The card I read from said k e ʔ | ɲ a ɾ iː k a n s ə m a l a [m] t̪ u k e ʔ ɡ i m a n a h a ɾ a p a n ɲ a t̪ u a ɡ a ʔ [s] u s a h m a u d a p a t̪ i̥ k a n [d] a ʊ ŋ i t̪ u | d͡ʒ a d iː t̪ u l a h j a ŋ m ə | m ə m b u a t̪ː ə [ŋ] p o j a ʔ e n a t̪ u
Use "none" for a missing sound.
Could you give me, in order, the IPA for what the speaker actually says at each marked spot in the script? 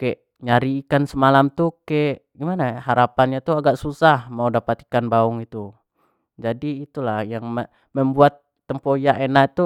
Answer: m, s, b, m

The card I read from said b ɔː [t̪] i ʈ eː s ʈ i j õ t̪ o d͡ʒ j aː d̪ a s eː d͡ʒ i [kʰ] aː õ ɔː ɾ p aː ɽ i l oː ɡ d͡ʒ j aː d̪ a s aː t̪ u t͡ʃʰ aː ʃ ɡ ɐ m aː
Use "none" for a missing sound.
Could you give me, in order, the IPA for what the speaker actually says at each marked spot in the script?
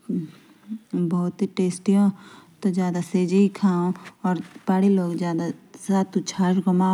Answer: t̪, kʰ

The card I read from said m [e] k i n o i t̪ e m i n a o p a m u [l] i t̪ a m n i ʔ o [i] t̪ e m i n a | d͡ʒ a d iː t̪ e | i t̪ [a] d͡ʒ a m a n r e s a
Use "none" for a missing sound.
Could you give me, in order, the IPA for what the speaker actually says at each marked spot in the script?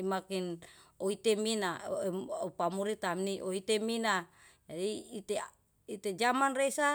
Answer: a, ɾ, i, e

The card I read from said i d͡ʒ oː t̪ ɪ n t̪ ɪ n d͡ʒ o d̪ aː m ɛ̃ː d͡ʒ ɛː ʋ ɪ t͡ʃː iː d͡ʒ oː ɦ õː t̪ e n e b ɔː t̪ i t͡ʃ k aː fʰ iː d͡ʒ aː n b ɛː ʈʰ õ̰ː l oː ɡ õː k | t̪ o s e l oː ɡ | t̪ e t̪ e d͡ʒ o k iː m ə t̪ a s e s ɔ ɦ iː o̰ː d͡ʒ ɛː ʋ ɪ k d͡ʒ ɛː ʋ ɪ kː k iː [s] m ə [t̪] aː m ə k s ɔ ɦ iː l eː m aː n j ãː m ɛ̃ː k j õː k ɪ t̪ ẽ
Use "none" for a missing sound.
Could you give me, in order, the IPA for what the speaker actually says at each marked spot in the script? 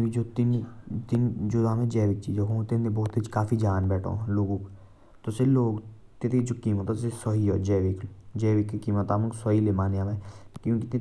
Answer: none, t̪

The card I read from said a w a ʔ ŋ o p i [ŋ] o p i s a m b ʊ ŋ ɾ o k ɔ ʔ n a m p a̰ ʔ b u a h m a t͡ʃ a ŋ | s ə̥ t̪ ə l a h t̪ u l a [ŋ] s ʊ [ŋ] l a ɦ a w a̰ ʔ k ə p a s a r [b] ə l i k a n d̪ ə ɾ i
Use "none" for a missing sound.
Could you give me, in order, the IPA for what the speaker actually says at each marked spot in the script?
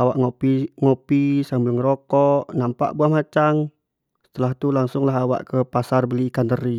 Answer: ŋ, ŋ, ŋ, b

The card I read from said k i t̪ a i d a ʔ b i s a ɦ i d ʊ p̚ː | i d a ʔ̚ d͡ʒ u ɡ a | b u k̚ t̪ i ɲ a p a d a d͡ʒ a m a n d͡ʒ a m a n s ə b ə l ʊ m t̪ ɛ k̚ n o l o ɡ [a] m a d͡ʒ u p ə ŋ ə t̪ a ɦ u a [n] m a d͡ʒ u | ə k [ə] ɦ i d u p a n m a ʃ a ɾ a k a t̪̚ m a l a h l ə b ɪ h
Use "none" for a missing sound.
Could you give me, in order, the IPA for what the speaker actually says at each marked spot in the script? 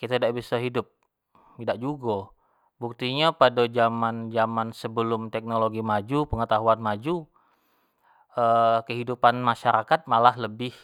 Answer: i, n, ə

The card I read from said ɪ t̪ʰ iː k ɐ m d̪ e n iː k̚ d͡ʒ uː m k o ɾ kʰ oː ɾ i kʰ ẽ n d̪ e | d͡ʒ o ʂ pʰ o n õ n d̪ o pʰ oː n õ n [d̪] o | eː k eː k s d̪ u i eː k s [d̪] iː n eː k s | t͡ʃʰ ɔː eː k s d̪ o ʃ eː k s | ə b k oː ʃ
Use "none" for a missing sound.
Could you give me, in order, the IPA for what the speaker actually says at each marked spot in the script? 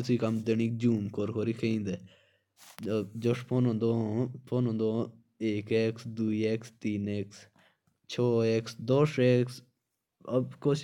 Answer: d̪, t̪

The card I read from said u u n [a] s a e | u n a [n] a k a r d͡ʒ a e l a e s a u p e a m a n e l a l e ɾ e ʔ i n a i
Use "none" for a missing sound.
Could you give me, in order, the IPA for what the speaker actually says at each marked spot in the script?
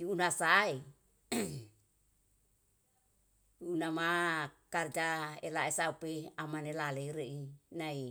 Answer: a, m

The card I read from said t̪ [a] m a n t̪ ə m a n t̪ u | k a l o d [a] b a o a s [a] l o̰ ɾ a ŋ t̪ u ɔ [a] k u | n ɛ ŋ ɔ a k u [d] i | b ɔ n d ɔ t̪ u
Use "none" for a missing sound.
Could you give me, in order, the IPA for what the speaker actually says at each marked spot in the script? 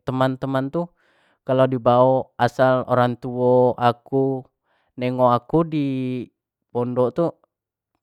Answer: ə, i, a, a, d

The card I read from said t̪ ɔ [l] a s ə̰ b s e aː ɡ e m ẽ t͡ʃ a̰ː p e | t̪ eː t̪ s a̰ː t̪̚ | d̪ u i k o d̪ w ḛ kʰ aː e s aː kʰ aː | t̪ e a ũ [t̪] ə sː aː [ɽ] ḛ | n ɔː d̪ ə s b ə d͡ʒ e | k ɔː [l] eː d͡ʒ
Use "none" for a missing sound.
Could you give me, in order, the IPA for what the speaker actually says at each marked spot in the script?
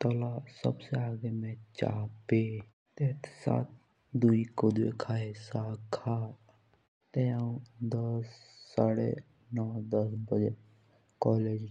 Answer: l, d̪, ɽ, l

